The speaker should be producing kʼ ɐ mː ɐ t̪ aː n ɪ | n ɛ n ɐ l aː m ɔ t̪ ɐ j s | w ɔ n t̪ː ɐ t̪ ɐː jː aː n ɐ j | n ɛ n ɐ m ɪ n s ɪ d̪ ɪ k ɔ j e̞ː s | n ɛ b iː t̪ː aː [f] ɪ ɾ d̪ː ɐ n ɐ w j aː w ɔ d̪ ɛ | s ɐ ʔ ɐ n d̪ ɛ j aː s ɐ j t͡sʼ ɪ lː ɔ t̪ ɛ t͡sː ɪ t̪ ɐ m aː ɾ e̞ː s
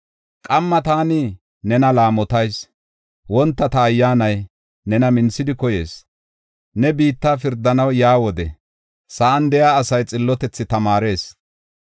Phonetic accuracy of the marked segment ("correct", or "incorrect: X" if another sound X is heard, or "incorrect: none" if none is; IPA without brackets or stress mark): correct